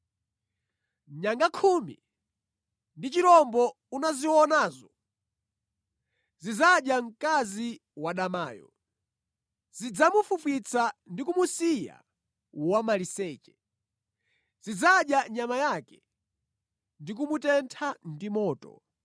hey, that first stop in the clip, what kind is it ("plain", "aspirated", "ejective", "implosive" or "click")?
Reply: plain